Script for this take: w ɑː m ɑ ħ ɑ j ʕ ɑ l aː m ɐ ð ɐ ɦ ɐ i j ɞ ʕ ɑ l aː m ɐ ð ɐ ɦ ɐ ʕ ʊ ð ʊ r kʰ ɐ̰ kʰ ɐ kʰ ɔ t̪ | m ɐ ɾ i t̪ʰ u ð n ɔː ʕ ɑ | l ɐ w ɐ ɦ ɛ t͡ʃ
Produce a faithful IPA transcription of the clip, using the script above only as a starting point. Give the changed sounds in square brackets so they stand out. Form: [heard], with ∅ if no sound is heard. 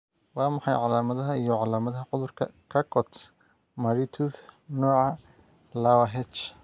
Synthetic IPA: w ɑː m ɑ ħ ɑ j ʕ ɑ l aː m ɐ ð ɐ ɦ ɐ i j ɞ ʕ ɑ l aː m ɐ ð ɐ ɦ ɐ ʕ ʊ ð ʊ r kʰ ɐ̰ kʰ ɐ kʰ ɔ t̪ | m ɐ ɾ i t̪ʰ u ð n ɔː ʕ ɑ | l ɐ w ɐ ɦ ɛ t͡ʃ